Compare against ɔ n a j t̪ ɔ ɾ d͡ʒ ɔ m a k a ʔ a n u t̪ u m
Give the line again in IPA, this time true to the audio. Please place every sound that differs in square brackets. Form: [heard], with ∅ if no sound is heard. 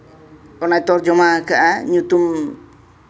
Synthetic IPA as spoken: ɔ n a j t̪ ɔ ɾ d͡ʒ ɔ m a k a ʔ a [ɲ] u t̪ u m